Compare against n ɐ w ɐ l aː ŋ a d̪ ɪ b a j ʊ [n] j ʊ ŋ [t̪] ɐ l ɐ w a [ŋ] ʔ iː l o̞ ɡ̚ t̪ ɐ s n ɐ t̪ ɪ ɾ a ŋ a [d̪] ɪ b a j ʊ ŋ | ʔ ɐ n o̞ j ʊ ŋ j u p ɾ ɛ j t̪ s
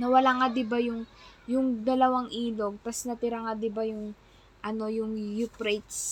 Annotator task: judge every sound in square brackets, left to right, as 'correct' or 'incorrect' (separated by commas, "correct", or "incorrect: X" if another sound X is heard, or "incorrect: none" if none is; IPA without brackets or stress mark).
incorrect: ŋ, incorrect: d̪, correct, correct